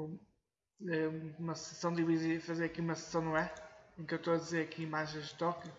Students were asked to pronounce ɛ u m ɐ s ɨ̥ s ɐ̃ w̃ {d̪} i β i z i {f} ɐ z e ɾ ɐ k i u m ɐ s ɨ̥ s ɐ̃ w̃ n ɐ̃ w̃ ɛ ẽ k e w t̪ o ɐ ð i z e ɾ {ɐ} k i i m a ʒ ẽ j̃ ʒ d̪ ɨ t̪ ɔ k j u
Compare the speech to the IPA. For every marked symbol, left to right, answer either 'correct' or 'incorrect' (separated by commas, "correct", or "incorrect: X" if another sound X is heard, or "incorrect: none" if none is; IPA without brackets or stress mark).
correct, correct, correct